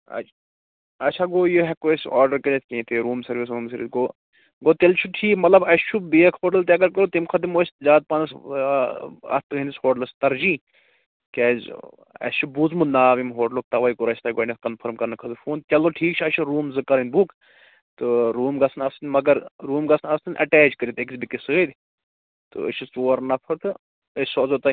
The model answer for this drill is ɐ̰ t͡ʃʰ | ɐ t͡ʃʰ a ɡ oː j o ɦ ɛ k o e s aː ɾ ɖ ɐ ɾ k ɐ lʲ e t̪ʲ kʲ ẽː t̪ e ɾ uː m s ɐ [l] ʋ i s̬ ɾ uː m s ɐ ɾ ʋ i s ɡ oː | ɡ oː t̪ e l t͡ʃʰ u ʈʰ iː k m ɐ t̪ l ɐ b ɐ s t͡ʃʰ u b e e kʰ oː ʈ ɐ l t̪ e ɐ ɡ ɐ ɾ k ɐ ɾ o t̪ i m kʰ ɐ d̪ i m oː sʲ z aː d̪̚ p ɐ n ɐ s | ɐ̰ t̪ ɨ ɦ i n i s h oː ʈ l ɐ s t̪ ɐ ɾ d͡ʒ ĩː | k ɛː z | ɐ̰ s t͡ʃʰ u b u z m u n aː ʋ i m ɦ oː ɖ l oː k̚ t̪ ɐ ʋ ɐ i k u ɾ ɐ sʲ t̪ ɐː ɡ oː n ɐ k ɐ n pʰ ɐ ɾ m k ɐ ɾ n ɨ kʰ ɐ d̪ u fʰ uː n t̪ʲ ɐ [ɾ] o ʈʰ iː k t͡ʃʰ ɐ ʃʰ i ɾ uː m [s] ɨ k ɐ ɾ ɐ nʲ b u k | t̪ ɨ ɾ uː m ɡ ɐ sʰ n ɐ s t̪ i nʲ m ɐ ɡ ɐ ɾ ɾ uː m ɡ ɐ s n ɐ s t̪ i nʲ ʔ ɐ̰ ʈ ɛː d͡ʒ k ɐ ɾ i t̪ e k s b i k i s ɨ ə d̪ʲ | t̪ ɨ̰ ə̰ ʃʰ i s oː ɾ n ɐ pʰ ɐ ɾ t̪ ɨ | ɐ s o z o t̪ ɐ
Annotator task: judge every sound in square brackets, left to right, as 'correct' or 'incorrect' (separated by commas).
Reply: incorrect, incorrect, incorrect